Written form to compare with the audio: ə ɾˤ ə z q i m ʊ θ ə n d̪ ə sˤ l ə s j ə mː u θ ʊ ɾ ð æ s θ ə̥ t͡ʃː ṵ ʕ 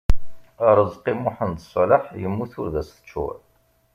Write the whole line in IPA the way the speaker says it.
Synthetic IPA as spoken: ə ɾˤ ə z q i m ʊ ħ ə n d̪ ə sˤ l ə ħ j ə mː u θ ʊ ɾ ð æ s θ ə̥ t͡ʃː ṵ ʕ